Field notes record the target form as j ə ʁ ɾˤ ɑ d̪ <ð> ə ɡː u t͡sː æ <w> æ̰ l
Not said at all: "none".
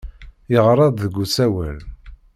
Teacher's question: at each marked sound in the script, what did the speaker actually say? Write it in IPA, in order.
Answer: ð, w

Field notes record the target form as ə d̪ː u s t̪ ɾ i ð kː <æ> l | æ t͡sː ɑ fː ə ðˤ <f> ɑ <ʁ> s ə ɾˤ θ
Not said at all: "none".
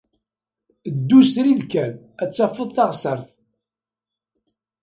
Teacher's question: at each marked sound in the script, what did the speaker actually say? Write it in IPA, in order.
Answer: æ, θ, ʁ

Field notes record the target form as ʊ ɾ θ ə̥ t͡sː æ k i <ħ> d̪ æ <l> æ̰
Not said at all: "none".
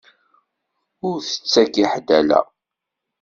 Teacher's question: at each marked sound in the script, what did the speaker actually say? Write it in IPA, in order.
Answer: ħ, l

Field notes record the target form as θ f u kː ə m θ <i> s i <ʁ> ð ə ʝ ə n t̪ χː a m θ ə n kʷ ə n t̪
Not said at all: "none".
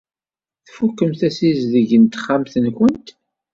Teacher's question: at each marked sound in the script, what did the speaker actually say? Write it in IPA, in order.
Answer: æ, z

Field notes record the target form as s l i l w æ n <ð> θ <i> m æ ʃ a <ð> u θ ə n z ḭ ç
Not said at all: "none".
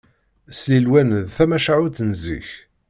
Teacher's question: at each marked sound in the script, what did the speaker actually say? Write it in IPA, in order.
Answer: ð, æ, ʕ

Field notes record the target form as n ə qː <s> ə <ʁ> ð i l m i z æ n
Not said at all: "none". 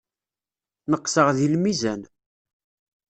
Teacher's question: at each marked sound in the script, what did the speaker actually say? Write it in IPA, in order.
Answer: s, ʁ

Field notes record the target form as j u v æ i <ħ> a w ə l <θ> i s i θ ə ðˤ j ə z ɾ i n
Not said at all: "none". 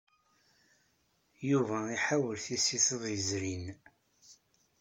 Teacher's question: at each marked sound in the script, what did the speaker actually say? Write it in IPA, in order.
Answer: ħ, θ

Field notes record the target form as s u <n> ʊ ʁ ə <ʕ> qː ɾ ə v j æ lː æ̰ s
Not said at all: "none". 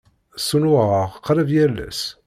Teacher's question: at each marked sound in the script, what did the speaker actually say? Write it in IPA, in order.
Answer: n, ʁ

